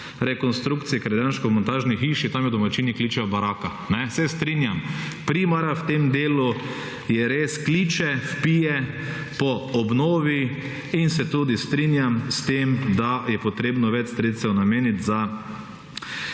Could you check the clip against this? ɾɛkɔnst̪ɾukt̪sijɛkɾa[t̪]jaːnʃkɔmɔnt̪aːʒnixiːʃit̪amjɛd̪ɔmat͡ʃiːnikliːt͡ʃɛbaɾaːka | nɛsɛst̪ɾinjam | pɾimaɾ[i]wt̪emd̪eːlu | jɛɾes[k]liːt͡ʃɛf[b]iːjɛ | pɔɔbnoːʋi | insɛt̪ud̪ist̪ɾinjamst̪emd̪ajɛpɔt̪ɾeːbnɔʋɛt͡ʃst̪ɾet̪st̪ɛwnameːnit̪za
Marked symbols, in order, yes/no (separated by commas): no, no, yes, no